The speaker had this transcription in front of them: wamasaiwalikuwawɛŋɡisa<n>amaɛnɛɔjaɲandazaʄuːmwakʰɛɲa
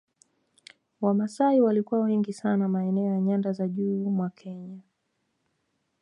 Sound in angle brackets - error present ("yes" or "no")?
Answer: no